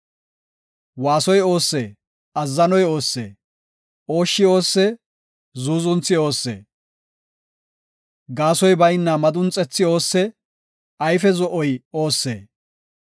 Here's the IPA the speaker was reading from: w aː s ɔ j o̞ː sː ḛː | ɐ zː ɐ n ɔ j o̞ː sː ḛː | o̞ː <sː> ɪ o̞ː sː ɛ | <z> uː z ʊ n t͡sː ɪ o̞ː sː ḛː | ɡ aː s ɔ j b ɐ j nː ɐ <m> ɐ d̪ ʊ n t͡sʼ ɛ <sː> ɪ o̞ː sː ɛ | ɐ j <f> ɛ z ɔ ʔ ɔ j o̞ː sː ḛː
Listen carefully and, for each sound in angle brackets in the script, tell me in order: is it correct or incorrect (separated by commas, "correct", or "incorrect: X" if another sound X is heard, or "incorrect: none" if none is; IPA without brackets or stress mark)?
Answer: incorrect: ʃː, correct, correct, incorrect: t͡sː, correct